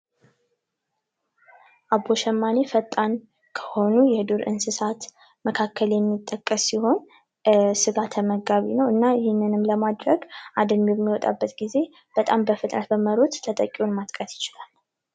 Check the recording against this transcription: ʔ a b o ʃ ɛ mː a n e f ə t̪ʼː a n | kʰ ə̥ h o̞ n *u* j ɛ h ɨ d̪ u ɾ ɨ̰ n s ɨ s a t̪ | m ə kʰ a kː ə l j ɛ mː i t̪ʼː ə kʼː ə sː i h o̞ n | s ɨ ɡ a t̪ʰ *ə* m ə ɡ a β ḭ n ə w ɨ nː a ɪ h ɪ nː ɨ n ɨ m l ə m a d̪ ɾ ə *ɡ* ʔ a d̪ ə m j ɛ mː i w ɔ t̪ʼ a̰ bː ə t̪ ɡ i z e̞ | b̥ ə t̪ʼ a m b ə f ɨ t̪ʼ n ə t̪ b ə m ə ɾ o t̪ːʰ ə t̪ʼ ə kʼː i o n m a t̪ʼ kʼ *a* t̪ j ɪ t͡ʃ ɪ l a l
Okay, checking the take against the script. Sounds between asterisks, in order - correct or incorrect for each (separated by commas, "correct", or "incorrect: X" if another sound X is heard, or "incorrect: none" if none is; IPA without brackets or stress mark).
correct, correct, correct, incorrect: ə